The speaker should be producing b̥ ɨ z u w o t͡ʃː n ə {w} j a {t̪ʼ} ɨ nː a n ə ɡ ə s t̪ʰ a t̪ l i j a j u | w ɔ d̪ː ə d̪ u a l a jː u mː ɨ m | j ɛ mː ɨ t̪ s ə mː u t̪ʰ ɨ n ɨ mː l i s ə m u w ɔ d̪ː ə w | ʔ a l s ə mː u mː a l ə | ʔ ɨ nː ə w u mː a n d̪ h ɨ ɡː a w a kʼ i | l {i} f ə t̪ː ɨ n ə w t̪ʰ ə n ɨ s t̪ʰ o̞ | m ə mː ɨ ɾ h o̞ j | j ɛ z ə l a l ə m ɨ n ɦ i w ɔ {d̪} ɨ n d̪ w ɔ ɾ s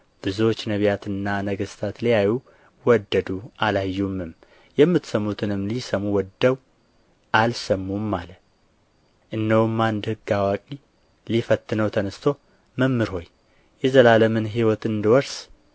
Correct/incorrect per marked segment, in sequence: incorrect, incorrect, correct, incorrect

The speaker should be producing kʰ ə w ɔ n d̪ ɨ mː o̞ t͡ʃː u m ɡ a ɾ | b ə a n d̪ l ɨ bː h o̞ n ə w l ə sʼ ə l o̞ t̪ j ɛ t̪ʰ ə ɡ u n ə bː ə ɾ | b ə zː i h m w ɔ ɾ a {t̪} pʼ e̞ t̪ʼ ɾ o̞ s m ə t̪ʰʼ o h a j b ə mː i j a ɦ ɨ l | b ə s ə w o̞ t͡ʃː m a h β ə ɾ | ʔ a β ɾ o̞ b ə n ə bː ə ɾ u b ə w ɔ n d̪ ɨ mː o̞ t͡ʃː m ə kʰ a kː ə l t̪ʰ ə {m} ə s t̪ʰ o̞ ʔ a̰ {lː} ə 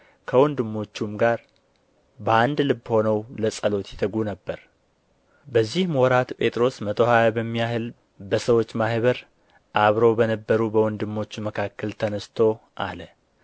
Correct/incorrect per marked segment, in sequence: correct, incorrect, incorrect

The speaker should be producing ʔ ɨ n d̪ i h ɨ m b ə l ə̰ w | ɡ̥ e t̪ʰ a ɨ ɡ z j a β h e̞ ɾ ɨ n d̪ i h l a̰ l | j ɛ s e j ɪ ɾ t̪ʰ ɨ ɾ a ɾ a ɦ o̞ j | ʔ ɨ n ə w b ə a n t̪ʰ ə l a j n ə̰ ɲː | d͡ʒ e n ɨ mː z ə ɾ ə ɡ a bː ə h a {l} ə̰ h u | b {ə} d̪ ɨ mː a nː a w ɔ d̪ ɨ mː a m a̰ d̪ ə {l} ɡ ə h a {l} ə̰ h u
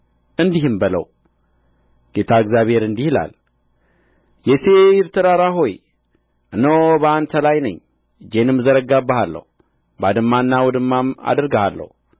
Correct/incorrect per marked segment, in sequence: incorrect, incorrect, incorrect, incorrect

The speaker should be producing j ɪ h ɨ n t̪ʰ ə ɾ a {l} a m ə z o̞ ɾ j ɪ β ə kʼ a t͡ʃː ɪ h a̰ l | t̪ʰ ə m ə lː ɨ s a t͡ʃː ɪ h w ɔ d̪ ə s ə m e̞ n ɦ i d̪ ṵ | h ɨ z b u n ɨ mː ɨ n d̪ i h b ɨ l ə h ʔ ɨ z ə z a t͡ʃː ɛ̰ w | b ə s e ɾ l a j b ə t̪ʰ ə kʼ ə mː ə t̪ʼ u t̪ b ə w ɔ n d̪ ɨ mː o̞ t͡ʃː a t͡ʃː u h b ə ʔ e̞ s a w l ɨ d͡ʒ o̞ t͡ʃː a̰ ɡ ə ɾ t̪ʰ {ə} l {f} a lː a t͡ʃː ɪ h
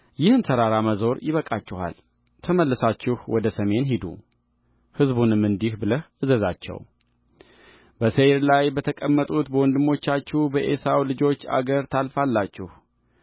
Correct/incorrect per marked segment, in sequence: incorrect, incorrect, correct

